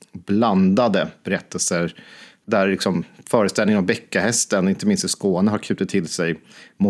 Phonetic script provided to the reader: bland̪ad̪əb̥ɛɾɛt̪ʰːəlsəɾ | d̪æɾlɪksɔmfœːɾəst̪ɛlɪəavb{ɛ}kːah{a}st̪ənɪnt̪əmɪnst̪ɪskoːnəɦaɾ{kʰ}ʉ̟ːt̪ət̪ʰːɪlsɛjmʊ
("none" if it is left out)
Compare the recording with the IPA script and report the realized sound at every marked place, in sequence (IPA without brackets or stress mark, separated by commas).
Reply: ɛ, ɛ, kʰ